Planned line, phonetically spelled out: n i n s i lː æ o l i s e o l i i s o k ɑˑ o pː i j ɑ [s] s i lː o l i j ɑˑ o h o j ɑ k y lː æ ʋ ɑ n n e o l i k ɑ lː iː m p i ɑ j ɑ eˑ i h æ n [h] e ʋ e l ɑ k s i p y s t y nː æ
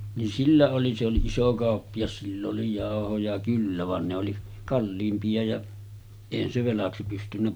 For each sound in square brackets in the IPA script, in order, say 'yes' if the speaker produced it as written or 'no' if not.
yes, no

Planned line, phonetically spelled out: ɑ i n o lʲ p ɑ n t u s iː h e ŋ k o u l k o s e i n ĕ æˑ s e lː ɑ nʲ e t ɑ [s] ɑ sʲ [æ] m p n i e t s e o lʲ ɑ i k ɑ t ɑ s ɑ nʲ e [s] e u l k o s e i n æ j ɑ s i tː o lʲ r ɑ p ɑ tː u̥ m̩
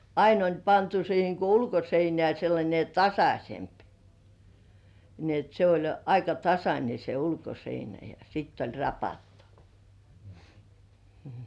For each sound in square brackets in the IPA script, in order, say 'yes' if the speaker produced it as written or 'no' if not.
yes, no, yes

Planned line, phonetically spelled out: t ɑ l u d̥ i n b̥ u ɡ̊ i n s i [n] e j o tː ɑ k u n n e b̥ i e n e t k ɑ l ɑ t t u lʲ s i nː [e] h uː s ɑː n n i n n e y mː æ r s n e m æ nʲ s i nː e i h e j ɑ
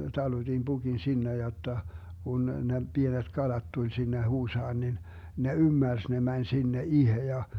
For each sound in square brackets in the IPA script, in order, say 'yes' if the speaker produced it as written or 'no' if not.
no, yes

